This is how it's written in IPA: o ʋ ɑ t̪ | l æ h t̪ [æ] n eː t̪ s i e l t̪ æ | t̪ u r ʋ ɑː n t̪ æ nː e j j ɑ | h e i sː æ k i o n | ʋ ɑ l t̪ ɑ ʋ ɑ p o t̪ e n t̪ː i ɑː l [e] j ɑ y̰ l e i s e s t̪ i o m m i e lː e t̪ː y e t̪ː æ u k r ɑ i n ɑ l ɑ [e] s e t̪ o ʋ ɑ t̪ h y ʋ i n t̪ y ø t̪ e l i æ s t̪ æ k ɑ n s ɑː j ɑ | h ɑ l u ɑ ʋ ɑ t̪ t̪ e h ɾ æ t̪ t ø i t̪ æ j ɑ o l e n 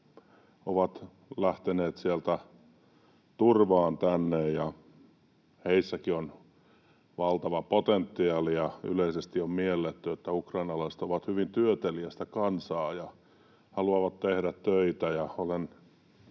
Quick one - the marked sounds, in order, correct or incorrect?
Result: incorrect, incorrect, incorrect

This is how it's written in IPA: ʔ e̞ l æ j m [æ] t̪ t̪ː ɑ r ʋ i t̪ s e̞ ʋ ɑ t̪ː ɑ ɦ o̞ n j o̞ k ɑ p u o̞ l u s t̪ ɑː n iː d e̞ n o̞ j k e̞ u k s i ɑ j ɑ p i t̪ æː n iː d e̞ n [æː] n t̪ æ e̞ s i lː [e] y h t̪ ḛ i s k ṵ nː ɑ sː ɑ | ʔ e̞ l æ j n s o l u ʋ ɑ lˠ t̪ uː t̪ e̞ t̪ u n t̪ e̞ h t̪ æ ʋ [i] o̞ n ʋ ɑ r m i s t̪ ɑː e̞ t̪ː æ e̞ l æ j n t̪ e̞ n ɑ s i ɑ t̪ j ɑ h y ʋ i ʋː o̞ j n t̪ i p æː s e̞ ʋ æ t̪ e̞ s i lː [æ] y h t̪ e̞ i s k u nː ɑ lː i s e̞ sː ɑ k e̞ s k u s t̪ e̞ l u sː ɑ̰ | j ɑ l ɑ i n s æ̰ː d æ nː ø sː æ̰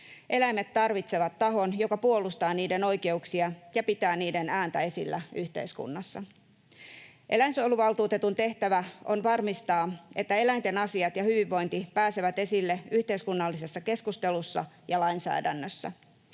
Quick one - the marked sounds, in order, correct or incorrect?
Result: incorrect, correct, incorrect, incorrect, incorrect

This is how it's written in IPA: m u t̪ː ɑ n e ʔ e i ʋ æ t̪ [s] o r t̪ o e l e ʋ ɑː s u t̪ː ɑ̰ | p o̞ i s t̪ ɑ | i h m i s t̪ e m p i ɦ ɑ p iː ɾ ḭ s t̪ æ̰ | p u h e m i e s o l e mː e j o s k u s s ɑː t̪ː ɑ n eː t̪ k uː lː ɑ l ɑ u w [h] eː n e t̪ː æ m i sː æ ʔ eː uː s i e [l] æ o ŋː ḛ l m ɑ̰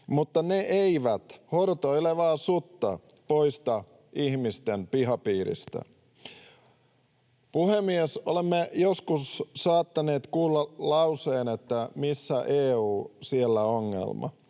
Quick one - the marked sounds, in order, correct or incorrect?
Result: incorrect, incorrect, incorrect

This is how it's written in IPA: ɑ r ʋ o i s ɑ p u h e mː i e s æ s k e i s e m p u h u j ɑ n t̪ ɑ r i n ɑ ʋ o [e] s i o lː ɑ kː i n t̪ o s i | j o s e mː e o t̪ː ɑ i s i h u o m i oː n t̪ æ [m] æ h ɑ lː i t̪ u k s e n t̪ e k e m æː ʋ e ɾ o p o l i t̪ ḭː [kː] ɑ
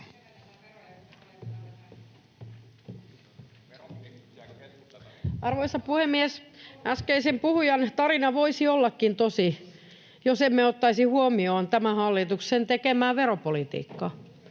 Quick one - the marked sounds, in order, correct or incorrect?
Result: incorrect, correct, correct

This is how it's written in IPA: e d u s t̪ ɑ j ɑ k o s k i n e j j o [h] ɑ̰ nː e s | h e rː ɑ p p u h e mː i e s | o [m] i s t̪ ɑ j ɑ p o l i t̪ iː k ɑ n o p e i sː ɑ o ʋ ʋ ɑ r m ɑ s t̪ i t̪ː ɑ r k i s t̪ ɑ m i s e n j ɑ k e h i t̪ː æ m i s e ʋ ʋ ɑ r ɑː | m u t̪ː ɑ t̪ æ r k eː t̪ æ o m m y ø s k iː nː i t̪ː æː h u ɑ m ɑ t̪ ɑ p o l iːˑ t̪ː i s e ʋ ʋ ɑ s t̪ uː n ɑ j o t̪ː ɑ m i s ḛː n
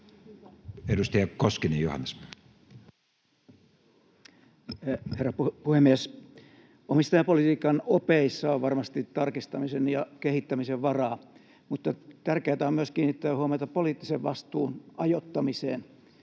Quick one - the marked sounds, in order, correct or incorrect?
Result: correct, correct

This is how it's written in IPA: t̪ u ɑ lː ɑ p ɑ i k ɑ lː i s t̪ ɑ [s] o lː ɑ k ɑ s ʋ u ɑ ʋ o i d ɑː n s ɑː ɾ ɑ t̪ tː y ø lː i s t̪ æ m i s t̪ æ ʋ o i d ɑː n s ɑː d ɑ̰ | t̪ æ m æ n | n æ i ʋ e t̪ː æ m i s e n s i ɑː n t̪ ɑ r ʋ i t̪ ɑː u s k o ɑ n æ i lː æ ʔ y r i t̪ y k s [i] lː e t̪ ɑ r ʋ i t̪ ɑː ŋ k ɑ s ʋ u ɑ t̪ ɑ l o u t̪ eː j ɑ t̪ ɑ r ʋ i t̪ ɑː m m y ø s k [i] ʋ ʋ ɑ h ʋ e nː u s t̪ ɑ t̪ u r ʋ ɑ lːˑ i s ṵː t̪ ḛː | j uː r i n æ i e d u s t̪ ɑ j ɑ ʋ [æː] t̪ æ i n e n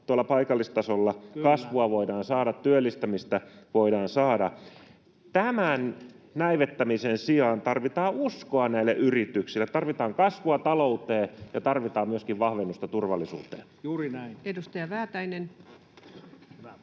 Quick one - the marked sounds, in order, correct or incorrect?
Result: correct, correct, correct, correct

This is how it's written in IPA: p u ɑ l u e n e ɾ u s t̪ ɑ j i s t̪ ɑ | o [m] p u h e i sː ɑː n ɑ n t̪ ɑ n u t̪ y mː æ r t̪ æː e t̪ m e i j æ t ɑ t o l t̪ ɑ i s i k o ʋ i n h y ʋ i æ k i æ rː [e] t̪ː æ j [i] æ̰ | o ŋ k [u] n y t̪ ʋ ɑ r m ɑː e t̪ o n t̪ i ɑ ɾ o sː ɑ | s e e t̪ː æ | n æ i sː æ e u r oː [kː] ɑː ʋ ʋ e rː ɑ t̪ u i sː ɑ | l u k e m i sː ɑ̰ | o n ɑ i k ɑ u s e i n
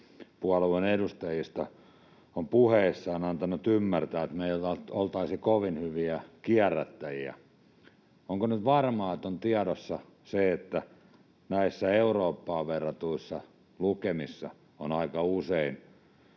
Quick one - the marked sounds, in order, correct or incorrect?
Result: correct, incorrect, correct, incorrect, incorrect

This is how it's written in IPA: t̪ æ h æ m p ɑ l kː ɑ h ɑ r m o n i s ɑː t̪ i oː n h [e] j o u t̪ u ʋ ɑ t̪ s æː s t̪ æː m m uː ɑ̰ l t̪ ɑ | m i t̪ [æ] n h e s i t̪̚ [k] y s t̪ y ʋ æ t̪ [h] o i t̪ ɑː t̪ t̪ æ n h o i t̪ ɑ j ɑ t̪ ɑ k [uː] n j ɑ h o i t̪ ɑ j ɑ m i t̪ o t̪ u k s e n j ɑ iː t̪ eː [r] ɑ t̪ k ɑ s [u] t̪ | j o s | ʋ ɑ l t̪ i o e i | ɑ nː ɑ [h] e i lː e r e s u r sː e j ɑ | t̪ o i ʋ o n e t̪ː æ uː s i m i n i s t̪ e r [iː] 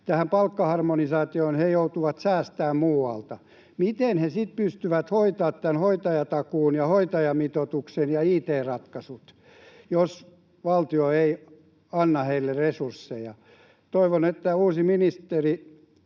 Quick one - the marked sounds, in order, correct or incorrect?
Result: correct, incorrect, incorrect, correct, correct, correct, correct, correct, incorrect

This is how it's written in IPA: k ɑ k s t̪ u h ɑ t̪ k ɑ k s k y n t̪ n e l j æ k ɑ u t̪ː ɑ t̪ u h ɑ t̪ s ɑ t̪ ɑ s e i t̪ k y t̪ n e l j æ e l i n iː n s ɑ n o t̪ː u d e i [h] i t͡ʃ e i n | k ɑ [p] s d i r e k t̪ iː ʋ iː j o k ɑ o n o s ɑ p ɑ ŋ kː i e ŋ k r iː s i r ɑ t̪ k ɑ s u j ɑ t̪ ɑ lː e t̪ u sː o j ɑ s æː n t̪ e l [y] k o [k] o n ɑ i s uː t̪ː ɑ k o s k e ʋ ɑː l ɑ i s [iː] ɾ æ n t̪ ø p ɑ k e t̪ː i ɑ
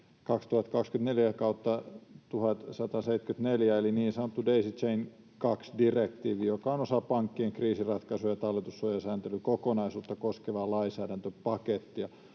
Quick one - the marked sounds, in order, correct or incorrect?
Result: incorrect, incorrect, correct, correct, incorrect

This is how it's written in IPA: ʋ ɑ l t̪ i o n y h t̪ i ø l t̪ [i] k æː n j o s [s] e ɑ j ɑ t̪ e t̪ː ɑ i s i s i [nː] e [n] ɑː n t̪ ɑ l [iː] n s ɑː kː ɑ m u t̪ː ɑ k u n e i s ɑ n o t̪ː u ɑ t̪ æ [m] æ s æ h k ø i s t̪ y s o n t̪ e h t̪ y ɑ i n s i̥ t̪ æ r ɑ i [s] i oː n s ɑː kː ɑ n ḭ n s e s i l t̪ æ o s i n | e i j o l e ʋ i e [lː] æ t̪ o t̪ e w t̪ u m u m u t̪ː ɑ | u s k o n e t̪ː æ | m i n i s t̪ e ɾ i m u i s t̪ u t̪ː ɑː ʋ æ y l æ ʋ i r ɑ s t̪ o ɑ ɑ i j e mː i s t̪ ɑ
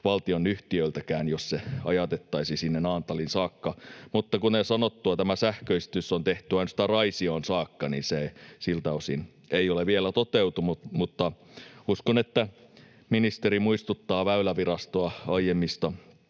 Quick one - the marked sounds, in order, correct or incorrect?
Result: incorrect, correct, correct, correct, incorrect, correct, correct, incorrect

